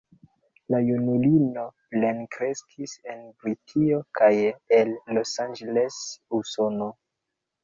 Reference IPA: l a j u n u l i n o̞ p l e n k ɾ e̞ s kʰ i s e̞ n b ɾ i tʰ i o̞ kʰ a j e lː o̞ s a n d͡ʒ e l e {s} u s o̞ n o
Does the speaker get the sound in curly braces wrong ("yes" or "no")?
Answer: no